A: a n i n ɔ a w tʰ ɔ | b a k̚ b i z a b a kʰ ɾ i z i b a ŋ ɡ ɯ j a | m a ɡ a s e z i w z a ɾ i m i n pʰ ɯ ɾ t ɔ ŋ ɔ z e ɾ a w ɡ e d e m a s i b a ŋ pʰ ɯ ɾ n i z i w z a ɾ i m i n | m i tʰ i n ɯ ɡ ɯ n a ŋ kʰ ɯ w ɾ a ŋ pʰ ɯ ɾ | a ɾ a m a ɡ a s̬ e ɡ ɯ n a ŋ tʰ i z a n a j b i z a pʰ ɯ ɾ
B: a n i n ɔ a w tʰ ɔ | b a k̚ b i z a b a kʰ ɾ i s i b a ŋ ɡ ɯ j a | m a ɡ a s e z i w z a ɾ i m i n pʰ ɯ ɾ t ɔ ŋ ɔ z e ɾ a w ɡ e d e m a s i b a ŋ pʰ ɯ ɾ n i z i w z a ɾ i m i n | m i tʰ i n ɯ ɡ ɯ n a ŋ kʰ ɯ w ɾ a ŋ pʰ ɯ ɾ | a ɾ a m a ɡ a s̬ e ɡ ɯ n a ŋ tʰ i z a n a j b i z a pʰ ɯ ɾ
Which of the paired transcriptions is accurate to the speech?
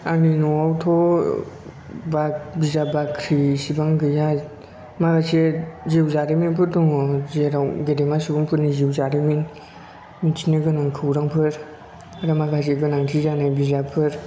B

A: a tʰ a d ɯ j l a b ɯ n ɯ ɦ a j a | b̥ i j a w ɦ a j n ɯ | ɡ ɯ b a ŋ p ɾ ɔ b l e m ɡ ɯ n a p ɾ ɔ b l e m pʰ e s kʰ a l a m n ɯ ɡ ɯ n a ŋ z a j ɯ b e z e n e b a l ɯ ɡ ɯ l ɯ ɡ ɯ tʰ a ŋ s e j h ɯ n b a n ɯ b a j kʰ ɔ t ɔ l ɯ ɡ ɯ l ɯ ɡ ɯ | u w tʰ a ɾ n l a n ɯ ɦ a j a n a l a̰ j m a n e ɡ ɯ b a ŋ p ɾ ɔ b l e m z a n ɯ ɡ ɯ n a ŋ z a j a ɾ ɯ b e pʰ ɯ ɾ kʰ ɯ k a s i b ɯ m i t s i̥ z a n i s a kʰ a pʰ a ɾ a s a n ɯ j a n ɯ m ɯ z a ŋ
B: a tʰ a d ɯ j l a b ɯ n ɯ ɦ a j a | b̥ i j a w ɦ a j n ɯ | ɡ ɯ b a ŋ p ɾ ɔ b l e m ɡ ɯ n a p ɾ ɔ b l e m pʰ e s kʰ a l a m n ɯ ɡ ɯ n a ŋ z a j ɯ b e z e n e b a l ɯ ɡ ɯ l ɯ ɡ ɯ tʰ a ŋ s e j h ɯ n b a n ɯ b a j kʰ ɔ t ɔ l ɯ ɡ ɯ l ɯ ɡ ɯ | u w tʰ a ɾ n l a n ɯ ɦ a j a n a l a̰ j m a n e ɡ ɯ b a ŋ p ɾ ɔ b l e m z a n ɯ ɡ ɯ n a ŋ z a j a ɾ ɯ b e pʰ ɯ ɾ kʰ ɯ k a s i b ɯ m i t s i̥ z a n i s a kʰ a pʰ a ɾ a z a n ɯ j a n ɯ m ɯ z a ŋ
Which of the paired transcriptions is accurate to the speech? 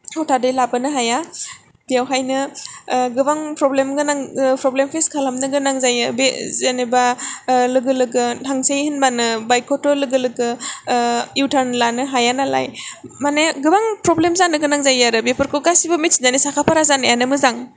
B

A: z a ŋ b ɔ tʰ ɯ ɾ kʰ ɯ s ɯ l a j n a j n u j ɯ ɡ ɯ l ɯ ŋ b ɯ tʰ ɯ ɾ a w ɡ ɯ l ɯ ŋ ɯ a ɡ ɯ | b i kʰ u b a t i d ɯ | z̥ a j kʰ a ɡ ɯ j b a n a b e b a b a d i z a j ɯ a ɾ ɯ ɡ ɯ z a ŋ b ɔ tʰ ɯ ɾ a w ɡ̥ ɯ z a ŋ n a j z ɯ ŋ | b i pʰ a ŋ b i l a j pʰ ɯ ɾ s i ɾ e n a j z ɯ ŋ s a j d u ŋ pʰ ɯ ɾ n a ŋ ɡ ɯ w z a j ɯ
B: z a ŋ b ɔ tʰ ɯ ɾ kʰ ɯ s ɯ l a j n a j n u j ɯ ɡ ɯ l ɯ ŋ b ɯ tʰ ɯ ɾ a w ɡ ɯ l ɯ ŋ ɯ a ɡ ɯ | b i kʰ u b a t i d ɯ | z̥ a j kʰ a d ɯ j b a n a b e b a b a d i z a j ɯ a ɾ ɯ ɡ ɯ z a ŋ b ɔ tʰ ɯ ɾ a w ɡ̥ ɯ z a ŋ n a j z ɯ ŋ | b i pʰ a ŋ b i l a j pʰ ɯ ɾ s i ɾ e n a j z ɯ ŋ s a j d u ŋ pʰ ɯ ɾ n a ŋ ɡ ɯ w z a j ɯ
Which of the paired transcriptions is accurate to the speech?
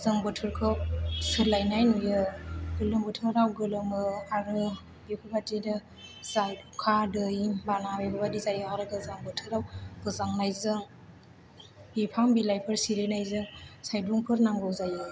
B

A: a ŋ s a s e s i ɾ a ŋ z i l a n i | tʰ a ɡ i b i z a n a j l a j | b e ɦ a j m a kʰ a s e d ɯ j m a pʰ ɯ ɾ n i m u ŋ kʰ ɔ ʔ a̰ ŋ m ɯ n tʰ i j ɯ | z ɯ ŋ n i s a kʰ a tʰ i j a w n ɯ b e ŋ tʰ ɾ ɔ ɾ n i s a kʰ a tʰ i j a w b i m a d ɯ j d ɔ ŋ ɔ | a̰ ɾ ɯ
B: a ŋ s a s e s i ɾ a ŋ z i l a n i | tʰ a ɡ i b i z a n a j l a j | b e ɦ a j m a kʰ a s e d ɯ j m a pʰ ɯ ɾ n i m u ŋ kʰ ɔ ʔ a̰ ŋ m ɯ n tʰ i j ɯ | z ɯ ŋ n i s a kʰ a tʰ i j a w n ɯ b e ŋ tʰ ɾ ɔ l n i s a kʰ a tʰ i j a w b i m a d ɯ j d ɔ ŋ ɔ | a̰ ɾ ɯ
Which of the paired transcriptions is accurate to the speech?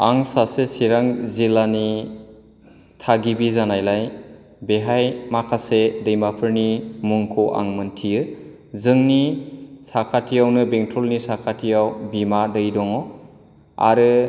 B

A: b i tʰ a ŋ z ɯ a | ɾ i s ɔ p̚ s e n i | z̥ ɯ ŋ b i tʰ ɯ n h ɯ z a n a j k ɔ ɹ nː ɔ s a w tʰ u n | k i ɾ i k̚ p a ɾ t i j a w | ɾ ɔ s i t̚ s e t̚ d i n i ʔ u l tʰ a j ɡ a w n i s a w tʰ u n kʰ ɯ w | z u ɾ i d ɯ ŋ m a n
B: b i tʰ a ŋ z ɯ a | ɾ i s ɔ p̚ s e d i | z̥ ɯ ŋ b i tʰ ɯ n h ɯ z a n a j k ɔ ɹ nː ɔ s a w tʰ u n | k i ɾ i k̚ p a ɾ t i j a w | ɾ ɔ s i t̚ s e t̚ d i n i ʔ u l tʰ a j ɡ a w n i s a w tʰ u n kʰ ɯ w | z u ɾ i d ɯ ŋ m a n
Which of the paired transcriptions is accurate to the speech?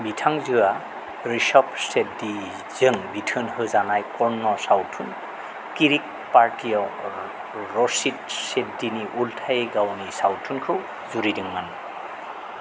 B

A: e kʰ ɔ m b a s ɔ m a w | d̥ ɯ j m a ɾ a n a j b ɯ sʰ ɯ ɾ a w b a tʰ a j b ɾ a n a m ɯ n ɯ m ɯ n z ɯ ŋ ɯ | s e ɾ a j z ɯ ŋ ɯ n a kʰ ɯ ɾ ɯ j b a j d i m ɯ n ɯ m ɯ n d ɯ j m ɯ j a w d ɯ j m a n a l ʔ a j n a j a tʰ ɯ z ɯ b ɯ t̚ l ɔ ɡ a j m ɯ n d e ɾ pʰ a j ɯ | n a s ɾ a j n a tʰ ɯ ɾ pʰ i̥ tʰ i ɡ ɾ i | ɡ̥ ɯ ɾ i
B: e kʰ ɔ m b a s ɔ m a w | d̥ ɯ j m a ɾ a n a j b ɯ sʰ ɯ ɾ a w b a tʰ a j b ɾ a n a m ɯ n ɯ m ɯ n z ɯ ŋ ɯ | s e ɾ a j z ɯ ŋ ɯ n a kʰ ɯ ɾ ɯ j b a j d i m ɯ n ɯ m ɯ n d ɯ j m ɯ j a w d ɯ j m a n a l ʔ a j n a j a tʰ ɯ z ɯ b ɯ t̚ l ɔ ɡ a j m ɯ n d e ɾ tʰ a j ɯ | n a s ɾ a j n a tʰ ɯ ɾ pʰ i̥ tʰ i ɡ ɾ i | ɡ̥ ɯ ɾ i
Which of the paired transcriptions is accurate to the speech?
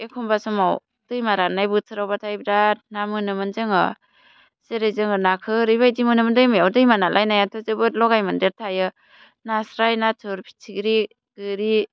B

